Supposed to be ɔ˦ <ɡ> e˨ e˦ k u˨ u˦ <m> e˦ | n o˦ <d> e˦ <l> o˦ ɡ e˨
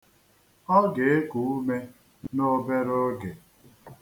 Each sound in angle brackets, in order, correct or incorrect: correct, correct, incorrect: b, incorrect: ɾ

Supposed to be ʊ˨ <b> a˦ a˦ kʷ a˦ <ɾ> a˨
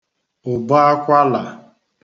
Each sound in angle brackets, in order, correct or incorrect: correct, incorrect: l

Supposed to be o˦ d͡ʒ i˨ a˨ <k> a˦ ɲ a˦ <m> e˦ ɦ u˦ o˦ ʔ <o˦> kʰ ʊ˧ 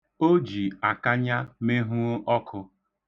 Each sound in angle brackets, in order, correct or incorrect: correct, correct, incorrect: ɔ˦

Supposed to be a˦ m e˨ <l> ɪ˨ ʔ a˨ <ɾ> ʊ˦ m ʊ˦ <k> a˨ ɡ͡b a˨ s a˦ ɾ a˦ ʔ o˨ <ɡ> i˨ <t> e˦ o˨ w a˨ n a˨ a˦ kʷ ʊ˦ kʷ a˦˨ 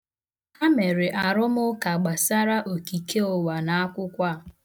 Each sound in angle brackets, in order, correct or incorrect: incorrect: ɾ, correct, correct, incorrect: k, incorrect: k

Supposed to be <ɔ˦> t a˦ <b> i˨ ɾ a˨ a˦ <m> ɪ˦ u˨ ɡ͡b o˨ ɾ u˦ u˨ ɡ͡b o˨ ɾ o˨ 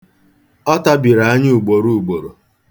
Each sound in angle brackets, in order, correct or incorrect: correct, correct, incorrect: ɲ

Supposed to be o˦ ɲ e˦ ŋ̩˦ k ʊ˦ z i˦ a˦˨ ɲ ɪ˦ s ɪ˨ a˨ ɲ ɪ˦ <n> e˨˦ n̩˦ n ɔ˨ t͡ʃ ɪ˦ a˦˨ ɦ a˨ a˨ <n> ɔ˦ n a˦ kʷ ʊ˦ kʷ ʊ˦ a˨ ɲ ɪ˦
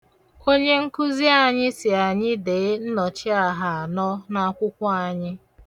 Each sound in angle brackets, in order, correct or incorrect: incorrect: d, correct

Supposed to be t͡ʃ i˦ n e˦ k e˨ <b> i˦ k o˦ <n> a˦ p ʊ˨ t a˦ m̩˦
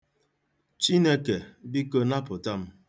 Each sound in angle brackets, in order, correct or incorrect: correct, correct

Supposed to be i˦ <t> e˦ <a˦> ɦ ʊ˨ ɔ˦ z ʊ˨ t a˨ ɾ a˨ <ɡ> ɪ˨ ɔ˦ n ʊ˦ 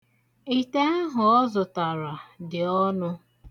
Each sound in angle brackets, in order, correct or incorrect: correct, correct, incorrect: d

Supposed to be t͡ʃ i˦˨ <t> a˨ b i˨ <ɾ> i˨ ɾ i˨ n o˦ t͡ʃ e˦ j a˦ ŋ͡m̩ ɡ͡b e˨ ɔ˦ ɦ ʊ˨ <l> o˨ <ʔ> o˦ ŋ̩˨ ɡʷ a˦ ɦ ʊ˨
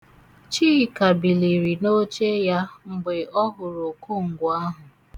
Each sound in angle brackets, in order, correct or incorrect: incorrect: k, incorrect: l, incorrect: ɾ, incorrect: k

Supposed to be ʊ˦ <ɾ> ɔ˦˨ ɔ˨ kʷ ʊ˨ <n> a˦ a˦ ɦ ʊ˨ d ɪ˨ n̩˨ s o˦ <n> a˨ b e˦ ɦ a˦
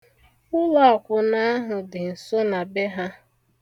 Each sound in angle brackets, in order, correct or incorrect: incorrect: l, correct, correct

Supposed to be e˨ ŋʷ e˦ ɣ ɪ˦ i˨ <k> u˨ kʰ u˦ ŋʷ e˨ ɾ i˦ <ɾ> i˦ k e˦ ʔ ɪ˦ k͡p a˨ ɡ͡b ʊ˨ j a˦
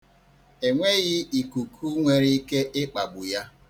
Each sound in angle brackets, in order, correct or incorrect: correct, incorrect: none

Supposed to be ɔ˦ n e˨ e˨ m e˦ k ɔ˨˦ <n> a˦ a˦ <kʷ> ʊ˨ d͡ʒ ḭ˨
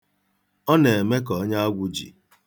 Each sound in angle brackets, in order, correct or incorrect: incorrect: ɲ, incorrect: ɡʷ

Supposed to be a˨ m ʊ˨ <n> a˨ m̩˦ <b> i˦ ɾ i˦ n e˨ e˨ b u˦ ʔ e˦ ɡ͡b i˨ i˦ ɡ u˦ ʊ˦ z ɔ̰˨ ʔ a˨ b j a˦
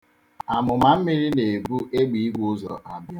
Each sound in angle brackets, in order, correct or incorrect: incorrect: m, incorrect: m

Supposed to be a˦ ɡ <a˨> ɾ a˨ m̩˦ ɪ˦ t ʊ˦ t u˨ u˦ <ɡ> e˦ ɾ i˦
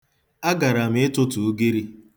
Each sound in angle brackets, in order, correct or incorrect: correct, correct

